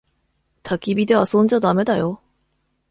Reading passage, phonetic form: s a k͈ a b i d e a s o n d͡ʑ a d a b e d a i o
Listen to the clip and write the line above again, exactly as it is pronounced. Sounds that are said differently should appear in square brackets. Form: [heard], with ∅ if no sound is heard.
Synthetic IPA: [t] a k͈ [i] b i d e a s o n d͡ʑ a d a [m] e d a [j] o